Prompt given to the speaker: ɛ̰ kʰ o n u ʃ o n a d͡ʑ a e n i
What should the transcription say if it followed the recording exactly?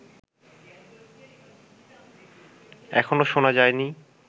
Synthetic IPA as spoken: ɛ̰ kʰ o n o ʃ o n a d͡ʑ a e n i